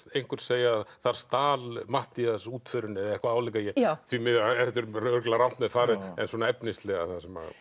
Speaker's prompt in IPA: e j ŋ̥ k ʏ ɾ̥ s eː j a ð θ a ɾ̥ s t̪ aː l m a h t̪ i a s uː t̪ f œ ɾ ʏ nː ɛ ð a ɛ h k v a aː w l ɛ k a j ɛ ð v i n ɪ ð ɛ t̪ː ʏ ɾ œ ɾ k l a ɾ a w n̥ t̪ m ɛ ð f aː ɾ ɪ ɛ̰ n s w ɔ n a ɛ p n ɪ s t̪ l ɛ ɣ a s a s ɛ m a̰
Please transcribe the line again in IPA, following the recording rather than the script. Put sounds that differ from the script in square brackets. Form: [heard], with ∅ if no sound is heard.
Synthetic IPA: e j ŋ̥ k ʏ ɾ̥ s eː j a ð θ a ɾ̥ s t̪ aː l m a h t̪ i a s uː t̪ f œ ɾ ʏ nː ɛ ð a ɛ h k v a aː w l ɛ k a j ɛ [θ] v i [m] ɪ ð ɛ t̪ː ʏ ɾ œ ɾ k l a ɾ a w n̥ t̪ m ɛ ð f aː ɾ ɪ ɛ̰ n s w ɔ n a ɛ p n ɪ s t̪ l ɛ ɣ a [θ] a s ɛ m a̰